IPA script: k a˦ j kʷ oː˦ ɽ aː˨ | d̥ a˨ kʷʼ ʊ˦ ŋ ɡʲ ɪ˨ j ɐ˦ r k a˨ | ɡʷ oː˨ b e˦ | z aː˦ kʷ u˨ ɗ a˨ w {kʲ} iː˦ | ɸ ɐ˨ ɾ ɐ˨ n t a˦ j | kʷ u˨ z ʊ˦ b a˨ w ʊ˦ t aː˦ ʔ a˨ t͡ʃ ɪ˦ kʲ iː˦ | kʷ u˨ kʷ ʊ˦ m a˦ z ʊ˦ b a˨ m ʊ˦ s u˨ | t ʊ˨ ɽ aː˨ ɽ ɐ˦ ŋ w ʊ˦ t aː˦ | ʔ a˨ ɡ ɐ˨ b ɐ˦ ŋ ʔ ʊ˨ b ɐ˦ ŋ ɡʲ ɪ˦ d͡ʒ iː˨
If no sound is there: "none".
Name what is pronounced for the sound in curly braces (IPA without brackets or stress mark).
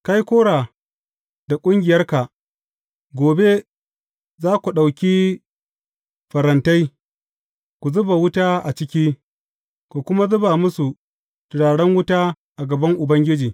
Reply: kʲ